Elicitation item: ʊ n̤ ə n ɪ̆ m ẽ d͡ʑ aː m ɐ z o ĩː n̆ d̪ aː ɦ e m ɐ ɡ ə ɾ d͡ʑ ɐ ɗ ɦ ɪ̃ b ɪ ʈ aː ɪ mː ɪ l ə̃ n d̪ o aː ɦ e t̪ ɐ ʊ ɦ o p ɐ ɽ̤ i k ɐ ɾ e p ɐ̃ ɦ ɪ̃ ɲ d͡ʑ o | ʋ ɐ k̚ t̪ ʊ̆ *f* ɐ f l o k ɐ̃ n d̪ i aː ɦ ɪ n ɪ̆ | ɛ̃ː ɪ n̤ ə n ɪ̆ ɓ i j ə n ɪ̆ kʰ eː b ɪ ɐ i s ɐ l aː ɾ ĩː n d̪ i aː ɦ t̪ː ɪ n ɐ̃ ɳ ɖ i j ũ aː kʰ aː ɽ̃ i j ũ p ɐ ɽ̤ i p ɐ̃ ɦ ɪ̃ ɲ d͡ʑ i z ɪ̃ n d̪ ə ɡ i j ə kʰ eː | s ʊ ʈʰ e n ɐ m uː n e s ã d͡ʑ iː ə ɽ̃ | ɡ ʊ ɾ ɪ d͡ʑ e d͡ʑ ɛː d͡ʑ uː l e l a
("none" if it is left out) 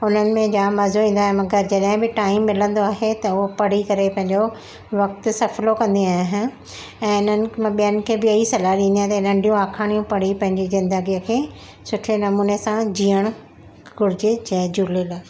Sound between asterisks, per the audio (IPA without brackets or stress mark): s